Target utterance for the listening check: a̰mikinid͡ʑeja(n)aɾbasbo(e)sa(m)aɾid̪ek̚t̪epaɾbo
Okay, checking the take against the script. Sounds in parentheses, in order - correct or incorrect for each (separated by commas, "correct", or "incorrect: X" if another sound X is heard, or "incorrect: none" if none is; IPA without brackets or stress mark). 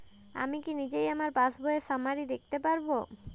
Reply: incorrect: m, correct, correct